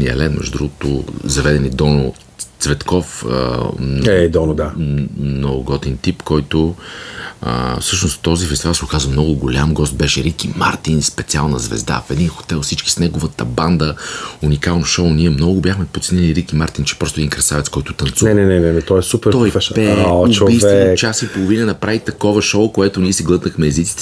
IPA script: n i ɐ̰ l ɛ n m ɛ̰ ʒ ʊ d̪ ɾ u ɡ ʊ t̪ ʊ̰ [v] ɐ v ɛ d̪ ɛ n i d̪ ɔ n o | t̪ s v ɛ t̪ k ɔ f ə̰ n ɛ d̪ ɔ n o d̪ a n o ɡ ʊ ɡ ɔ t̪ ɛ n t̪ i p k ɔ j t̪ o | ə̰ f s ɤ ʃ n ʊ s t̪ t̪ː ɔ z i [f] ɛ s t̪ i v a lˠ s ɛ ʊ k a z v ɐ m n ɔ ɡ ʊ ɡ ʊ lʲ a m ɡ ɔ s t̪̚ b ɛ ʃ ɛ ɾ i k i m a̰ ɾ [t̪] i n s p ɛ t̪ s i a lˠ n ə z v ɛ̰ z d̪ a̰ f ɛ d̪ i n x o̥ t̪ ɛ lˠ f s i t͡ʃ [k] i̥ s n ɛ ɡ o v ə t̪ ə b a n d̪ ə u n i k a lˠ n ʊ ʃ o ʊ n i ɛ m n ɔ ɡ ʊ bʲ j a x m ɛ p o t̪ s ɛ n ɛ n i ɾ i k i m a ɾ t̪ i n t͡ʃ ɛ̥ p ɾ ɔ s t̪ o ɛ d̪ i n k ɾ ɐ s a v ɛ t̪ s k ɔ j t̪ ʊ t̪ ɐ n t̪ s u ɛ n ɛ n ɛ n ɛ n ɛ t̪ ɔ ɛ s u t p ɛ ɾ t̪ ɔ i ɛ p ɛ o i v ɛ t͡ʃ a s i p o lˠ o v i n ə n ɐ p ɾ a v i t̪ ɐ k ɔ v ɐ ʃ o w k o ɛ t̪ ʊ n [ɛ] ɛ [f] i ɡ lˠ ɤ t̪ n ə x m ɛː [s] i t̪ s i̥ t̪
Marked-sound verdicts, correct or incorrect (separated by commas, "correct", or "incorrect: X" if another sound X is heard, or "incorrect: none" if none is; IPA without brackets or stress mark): incorrect: z, correct, correct, correct, incorrect: i, incorrect: s, incorrect: z